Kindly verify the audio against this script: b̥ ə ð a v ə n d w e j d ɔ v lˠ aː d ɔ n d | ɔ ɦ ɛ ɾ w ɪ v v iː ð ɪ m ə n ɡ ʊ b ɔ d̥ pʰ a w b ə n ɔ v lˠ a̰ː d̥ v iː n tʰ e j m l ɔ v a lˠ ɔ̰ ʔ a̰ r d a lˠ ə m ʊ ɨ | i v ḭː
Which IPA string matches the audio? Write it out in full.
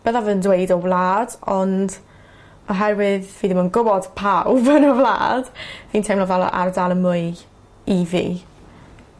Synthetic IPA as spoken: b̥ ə ð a v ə n d w e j d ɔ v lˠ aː d ɔ n d | ɔ ɦ ɛ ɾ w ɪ ð v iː ð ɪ m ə n ɡ ʊ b ɔ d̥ pʰ a w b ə n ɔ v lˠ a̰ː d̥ v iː n tʰ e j m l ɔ v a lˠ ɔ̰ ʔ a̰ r d a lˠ ə m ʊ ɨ | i v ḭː

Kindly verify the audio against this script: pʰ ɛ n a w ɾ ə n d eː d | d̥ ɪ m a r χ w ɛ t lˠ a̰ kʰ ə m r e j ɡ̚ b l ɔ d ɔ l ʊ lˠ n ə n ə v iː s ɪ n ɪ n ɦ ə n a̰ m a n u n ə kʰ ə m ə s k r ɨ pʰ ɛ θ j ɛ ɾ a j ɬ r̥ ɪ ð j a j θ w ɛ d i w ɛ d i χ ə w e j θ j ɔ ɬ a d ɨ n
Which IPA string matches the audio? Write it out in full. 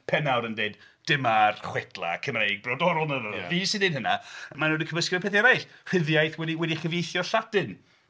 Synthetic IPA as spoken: pʰ ɛ n a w ɾ ə n d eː d | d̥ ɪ m a r χ w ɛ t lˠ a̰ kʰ ə m r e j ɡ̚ b r ɔ d ɔ ɾ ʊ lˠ n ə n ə v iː s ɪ n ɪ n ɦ ə n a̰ m a n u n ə kʰ ə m ə s k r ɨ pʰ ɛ θ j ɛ ɾ a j ɬ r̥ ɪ ð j a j θ w ɛ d i w ɛ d i χ ə v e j θ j ɔ ɬ a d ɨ n

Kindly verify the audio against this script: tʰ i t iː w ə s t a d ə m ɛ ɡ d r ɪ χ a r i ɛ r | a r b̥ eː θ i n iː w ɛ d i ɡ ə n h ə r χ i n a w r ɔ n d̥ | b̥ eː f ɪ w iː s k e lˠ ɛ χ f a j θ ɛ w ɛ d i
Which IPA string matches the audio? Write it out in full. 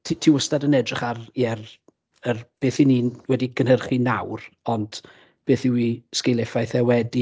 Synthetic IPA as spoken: tʰ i tʰ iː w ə s t a d ə n ɛ d r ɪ χ a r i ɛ r | ə r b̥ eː θ i n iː w ɛ d i ɡ ə n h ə r χ i n a w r ɔ n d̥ | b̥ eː θ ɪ w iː s k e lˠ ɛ f a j θ ɛ w ɛ d i

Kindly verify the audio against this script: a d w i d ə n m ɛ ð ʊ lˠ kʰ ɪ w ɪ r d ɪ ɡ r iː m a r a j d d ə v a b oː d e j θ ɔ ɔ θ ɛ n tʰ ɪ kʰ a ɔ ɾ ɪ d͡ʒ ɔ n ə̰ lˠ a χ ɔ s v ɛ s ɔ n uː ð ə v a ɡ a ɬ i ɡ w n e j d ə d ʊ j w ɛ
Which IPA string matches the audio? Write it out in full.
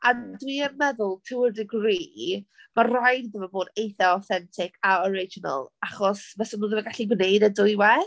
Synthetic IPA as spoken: a d w i ə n m ɛ ð ʊ lˠ tʰ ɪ w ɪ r d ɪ ɡ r iː m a r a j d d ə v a b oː d e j θ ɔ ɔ θ ɛ n tʰ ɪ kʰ a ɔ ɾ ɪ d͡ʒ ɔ n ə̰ lˠ a χ ɔ s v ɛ s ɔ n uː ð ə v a ɡ a ɬ i ɡ w n e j d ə d ʊ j w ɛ

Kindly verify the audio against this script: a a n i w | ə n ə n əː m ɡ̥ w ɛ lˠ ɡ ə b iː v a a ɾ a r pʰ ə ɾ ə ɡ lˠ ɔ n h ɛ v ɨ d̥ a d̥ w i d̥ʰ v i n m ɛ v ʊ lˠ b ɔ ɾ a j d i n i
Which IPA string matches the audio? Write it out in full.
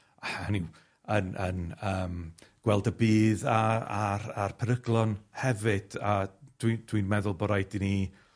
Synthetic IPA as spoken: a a n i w | ə n ə n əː m ɡ̥ w ɛ lˠ d ə b iː ð a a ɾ a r pʰ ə ɾ ə ɡ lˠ ɔ n h ɛ v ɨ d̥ a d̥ w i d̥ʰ w i n m ɛ ð ʊ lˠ b ɔ ɾ a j d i n i

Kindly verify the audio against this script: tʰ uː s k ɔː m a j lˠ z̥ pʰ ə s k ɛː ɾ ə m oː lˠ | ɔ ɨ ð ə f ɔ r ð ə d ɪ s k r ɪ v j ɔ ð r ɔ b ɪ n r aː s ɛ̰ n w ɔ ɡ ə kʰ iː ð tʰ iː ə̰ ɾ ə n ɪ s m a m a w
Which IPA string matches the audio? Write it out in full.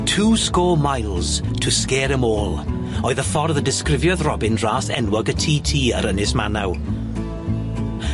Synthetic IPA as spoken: tʰ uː s k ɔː m a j lˠ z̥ tʰ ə s k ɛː ɾ ə m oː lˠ | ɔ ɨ ð ə f ɔ r ð ə d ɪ s k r ɪ v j ɔ ð r ɔ b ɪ n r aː s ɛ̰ n w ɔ ɡ ə tʰ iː tʰ iː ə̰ ɾ ə n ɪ s m a n a w

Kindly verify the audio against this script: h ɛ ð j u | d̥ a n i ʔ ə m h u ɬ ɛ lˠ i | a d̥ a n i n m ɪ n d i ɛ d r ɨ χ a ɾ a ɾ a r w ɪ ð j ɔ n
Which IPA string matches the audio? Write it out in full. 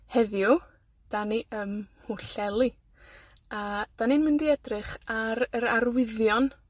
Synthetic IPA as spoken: h ɛ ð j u | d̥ a n i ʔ ə m h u ɬ ɛ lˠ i | a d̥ a n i n m ɪ n d i ɛ d r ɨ χ a ɾ ə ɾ a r w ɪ ð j ɔ n

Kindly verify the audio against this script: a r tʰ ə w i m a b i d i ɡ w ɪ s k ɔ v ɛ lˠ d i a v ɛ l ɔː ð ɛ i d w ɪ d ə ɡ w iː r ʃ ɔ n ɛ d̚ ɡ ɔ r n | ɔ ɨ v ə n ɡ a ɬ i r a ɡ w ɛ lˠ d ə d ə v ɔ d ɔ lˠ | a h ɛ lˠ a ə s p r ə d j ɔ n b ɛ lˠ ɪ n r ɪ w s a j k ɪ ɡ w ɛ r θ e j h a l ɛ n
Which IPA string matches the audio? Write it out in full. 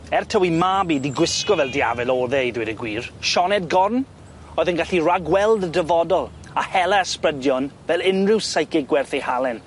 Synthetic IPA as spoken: ɛ r tʰ ə w i m a b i d i ɡ w ɪ s k ɔ v ɛ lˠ d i a v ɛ l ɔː ð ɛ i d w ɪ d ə ɡ w iː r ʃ ɔ n ɛ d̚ ɡ ɔ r n | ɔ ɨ ð ə n ɡ a ɬ i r a ɡ w ɛ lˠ d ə d ə v ɔ d ɔ lˠ | a h ɛ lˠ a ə s p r ə d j ɔ n v ɛ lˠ ɪ n r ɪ w s a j k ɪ ɡ w ɛ r θ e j h a l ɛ n

